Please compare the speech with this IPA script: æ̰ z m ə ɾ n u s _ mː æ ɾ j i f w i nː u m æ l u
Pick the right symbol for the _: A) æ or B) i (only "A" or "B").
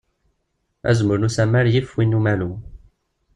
A